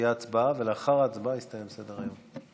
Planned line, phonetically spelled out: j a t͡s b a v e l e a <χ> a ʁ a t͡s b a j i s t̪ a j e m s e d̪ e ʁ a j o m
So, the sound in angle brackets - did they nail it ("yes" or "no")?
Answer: yes